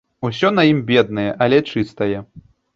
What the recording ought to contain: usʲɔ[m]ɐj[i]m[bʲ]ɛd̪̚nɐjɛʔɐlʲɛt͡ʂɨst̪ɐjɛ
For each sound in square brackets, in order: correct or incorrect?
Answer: incorrect, correct, correct

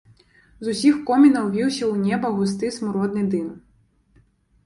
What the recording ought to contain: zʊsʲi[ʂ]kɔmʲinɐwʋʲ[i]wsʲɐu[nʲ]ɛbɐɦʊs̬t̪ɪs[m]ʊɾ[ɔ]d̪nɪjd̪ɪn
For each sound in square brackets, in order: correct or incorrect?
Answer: incorrect, correct, correct, correct, correct

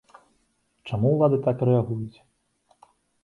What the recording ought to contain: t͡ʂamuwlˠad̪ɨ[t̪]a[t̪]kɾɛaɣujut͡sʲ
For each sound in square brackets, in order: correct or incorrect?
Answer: correct, incorrect

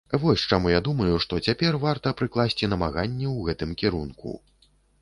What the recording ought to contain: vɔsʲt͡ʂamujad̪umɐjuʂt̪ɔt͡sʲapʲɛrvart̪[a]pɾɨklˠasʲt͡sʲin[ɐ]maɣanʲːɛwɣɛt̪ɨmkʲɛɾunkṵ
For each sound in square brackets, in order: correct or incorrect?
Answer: incorrect, correct

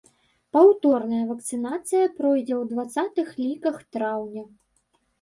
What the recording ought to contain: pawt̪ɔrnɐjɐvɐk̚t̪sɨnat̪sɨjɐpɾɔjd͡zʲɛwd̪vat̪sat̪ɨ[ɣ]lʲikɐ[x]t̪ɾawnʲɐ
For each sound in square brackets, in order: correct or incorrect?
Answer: incorrect, correct

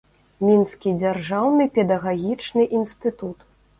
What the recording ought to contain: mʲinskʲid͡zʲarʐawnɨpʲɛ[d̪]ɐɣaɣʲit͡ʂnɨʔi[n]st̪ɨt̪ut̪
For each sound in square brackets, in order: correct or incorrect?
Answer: correct, correct

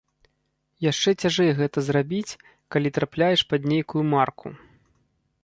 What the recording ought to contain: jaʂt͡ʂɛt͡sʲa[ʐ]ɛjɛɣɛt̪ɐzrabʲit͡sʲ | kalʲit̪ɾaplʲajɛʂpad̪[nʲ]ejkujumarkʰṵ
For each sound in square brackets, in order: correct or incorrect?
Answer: correct, correct

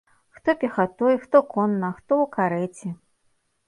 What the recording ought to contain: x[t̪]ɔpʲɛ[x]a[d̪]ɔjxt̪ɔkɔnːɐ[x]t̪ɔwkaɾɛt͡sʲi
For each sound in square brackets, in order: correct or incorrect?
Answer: correct, correct, incorrect, correct

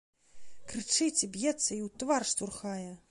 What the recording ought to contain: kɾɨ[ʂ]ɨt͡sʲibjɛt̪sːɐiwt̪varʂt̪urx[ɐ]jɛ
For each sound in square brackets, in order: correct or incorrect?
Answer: incorrect, incorrect

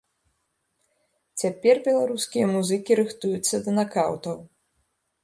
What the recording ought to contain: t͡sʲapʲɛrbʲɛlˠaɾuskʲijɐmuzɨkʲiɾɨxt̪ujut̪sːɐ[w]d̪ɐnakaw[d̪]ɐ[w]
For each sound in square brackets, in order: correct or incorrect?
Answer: incorrect, incorrect, correct

